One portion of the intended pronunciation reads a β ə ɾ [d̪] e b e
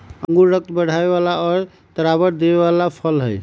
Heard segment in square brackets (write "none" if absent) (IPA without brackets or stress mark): d̪